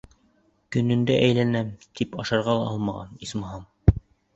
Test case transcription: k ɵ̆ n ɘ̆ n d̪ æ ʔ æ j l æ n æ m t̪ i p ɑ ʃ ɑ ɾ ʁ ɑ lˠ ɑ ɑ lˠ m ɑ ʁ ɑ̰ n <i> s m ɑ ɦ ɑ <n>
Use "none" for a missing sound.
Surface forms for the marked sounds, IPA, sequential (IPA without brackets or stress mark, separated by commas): i, m